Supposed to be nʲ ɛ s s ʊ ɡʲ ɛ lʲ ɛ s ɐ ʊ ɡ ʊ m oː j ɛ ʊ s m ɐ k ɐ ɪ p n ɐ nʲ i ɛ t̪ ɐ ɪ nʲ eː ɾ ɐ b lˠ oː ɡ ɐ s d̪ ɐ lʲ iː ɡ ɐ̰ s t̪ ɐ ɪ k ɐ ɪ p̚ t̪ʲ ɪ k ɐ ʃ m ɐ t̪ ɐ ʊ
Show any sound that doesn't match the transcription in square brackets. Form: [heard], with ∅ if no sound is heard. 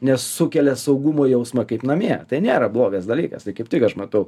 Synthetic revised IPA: nʲ ɛ s s ʊ [kʲ] ɛ lʲ ɛ s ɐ ʊ ɡ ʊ m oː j ɛ ʊ s m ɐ k ɐ ɪ p n ɐ [mʲ] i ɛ t̪ ɐ ɪ nʲ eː ɾ ɐ b lˠ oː ɡ ɐ s d̪ ɐ lʲ iː [k] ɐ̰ s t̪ ɐ ɪ k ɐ ɪ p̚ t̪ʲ ɪ k ɐ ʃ m ɐ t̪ ɐ ʊ